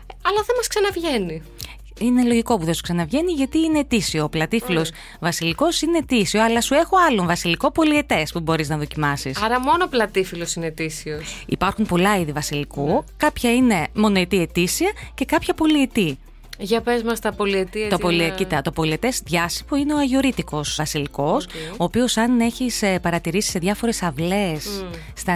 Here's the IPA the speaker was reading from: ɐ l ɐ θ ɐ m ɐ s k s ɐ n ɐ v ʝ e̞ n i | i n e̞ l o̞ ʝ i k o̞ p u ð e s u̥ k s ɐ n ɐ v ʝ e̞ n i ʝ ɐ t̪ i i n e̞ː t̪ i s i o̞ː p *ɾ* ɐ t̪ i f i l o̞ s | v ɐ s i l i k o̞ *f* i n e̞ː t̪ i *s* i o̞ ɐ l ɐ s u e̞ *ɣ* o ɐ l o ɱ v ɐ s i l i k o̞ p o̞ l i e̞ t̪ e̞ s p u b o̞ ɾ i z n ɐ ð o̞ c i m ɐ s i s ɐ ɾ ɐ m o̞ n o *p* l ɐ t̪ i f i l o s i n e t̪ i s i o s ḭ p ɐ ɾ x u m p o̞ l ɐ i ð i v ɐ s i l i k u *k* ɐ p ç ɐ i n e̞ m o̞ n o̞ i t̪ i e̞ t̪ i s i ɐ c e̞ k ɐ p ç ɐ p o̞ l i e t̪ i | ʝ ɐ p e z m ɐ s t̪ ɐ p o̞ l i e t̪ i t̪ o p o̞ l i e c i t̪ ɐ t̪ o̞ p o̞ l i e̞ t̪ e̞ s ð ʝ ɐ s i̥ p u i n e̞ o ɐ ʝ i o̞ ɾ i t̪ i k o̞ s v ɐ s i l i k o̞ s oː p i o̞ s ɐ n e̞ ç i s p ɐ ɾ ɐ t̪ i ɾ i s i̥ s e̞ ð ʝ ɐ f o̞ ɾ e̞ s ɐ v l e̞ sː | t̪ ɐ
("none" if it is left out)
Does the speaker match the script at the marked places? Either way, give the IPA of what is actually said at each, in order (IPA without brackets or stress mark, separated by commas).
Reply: l, s, s, x, p, k